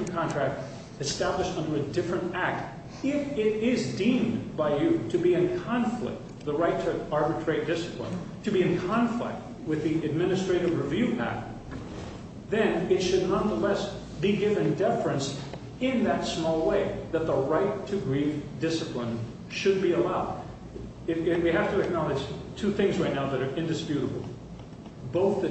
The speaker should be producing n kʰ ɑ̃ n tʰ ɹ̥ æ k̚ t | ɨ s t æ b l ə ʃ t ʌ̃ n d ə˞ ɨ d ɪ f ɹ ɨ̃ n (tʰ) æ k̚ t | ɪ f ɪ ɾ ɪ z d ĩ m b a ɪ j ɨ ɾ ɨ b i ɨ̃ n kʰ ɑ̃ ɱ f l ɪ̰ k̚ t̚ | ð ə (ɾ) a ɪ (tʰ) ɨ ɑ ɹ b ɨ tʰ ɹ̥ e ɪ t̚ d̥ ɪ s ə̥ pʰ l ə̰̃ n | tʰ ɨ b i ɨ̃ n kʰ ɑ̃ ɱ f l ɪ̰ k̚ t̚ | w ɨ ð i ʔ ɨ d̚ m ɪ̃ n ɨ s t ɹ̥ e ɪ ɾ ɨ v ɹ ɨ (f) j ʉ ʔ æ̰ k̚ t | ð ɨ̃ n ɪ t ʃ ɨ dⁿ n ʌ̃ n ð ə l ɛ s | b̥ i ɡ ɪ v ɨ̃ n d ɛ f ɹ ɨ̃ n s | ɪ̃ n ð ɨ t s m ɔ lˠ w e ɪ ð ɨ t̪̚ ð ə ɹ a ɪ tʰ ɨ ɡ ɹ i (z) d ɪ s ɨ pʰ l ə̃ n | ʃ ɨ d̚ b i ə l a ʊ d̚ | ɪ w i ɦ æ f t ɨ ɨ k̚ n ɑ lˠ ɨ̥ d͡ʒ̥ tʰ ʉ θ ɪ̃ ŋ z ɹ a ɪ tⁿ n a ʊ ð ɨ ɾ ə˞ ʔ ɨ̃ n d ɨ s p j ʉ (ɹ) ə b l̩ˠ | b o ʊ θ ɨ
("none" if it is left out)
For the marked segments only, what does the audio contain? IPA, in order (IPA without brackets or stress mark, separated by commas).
t, ɹ, tʰ, v, v, ɾ